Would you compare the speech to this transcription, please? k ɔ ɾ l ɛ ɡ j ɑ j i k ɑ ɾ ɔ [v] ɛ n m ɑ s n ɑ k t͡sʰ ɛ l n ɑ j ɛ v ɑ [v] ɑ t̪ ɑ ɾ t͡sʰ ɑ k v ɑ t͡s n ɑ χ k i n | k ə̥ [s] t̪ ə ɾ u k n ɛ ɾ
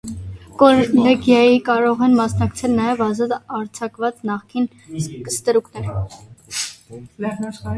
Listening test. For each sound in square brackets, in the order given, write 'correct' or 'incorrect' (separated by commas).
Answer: incorrect, incorrect, correct